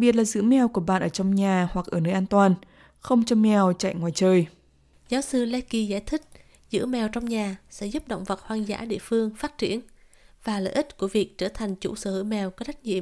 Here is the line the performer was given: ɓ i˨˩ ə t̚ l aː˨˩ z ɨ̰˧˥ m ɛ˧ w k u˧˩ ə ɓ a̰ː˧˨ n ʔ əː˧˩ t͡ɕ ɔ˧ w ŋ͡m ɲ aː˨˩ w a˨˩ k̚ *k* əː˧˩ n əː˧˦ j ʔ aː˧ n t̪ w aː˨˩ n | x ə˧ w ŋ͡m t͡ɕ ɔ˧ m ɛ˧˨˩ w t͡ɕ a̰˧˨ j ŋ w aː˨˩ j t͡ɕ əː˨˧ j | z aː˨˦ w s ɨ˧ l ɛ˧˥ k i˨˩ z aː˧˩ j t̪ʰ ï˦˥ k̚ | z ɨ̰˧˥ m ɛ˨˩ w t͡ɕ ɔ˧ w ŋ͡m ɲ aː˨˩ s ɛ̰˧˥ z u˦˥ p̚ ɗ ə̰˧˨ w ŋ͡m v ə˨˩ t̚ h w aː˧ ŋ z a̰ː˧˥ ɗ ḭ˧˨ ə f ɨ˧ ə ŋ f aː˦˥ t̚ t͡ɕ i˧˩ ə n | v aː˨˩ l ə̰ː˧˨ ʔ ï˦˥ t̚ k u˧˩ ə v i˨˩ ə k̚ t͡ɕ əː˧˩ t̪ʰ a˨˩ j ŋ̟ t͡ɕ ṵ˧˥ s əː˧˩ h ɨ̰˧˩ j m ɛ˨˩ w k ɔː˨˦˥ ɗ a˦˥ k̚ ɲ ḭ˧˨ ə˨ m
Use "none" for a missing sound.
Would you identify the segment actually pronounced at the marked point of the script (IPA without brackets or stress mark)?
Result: ʔ